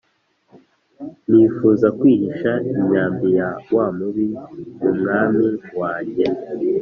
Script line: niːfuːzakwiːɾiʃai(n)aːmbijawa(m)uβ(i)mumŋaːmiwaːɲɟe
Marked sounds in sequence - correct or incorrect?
incorrect: ɲ, correct, correct

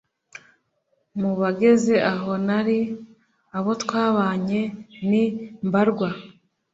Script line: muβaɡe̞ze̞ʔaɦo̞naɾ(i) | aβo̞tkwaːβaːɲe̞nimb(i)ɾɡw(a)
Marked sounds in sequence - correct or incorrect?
correct, incorrect: a, correct

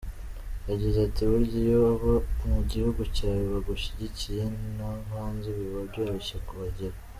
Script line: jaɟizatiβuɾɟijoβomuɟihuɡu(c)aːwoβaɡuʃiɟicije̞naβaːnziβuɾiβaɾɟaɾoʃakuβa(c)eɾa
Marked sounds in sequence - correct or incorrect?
correct, incorrect: ɟ

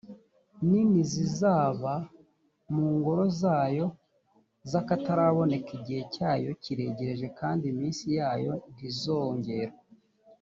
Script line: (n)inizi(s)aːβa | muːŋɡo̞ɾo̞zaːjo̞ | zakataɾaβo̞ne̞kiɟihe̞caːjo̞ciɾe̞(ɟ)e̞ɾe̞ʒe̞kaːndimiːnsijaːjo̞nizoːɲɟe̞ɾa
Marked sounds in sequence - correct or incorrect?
correct, incorrect: z, correct

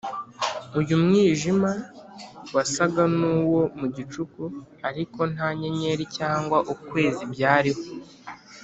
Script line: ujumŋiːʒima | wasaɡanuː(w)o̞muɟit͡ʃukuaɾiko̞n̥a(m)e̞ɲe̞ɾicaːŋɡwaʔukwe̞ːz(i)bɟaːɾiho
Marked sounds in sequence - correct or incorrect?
correct, incorrect: ɲ, correct

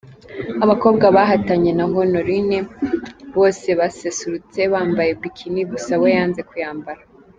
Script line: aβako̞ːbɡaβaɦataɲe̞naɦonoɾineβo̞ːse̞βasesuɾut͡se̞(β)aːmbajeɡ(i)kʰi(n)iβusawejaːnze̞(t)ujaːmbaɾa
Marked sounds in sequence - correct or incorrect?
correct, correct, correct, incorrect: k

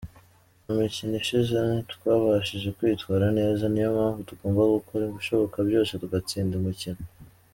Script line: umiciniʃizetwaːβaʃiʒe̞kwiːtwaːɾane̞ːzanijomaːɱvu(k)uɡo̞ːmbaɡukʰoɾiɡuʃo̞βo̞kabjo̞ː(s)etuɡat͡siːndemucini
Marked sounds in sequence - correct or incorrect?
incorrect: t, correct

